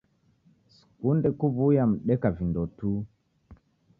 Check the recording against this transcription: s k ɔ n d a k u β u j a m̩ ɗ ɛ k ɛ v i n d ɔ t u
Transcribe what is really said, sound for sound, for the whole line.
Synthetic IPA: s k u n d ɛ k u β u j a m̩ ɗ ɛ k a v i n d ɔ t u